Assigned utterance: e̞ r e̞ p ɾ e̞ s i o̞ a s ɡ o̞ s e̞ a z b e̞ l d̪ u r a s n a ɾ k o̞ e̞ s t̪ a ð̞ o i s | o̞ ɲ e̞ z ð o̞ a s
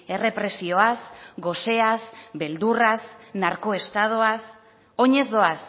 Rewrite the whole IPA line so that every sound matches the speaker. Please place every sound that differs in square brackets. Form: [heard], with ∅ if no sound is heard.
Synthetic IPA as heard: e̞ r e̞ p ɾ e̞ s i o̞ a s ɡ o̞ s e̞ a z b e̞ l d̪ u r a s n a ɾ k o̞ e̞ s t̪ a ð̞ o [a] s | o̞ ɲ e̞ z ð o̞ a s